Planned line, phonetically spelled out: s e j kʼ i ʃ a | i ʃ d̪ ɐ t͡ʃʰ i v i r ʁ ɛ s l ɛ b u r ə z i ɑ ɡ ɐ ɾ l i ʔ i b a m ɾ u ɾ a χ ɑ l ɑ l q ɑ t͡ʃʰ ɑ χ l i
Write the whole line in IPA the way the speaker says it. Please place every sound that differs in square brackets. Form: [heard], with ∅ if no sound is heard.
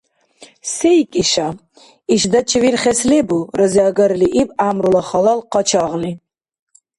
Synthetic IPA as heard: s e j kʼ i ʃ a | i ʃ d̪ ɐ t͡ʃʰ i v i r [χ] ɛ s l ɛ b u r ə z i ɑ ɡ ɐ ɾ l i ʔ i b a m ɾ u [l] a χ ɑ l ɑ l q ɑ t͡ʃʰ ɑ [ʁ] l i